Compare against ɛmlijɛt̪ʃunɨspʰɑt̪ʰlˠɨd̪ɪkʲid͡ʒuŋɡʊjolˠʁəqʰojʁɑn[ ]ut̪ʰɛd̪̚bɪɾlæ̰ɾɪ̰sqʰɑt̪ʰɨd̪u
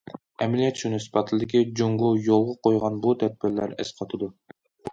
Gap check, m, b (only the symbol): b